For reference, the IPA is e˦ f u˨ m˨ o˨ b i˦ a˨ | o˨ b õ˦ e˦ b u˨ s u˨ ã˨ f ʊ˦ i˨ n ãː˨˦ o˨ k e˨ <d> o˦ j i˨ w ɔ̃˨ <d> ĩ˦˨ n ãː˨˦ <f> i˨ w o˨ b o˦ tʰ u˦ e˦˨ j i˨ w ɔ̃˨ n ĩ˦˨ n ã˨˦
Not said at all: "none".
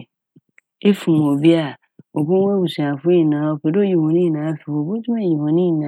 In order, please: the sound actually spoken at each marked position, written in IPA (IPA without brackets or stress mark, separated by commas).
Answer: d, n, f